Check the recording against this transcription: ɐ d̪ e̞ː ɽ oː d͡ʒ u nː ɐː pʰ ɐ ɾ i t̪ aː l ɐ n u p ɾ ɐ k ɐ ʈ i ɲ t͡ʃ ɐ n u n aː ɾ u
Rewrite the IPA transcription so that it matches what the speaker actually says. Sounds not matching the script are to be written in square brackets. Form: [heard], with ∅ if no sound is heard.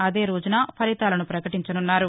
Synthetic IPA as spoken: ɐ d̪ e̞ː [ɾ] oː d͡ʒ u [n] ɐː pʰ ɐ ɾ i t̪ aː l ɐ n u p ɾ ɐ k ɐ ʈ i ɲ t͡ʃ ɐ n u [nː] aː ɾ u